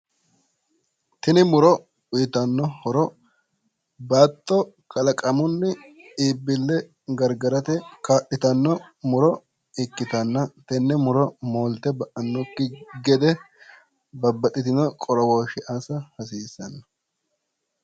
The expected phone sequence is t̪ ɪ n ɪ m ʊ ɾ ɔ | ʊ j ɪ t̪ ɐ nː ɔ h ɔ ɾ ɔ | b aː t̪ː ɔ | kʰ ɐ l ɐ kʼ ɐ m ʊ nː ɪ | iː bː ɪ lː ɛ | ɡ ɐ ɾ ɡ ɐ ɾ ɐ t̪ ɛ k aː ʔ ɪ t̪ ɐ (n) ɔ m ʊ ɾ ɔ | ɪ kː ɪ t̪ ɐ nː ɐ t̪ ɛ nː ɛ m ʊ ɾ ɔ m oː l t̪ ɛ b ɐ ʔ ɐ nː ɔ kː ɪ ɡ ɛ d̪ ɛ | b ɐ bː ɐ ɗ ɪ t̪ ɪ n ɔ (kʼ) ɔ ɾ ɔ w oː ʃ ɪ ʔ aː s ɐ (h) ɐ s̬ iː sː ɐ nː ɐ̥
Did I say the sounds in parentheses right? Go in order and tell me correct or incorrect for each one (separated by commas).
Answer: incorrect, correct, correct